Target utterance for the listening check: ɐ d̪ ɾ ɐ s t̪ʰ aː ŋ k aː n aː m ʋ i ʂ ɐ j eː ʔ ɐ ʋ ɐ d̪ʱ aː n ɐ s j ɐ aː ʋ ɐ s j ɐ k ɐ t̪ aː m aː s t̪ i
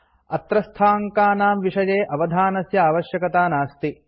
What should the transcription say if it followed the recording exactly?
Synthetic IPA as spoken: ɐ t̪ ɾ ɐ s t̪ʰ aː ŋ k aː n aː m ʋ i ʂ ɐ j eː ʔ ɐ ʋ ɐ d̪ʱ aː n ɐ s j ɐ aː ʋ ɐ ʃ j ɐ k ɐ t̪ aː n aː s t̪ i